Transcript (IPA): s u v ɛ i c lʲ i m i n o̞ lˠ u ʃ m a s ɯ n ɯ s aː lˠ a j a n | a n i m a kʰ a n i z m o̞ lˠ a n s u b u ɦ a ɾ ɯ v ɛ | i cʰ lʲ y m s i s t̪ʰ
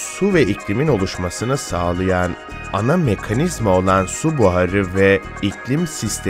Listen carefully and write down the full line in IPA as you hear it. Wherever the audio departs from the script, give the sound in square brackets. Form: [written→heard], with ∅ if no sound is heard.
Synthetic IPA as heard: s u v ɛ i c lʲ i m i n o̞ lˠ u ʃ m a s ɯ n ɯ s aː lˠ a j a n | a n [i→a] m [a→e] kʰ a n i z m o̞ lˠ a n s u b u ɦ a ɾ ɯ v ɛ | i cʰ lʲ [y→i] m s i s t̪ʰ